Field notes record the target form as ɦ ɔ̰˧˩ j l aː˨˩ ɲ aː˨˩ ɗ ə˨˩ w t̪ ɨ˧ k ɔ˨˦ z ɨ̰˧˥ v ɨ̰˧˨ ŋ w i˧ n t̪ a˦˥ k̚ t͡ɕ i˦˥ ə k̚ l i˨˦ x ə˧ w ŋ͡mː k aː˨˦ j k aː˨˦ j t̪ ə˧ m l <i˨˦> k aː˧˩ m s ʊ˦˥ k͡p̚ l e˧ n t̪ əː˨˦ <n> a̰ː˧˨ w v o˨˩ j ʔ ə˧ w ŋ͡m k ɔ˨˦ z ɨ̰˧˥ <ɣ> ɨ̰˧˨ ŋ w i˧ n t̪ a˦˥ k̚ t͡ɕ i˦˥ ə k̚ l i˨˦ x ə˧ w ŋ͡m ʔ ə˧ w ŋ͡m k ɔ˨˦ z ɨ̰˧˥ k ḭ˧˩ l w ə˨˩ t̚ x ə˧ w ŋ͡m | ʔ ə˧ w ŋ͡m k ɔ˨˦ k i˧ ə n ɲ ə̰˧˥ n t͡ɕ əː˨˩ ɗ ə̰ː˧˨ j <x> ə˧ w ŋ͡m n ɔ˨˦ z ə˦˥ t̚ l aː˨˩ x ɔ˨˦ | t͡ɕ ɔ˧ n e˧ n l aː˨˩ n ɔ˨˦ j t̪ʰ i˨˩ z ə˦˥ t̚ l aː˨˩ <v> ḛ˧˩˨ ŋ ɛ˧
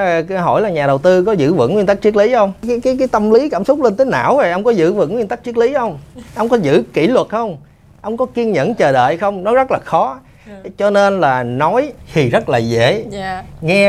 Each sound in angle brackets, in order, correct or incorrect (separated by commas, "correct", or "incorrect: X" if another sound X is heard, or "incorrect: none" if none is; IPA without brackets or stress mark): correct, correct, incorrect: v, correct, incorrect: z